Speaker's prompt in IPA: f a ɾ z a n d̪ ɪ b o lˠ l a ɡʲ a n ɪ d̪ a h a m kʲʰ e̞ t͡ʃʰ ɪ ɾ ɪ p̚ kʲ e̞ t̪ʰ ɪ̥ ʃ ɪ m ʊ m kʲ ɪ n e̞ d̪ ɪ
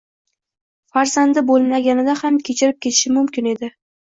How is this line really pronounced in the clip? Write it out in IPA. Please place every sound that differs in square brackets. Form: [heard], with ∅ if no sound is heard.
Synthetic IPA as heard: f a ɾ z a n d̪ ɪ b o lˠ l a ɡʲ a n ɪ d̪ a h a m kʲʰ e̞ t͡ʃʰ ɪ ɾ ɪ p̚ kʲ e̞ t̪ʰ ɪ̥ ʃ ɪ m ʊ m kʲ ɪ n e̞ d̪ ɪ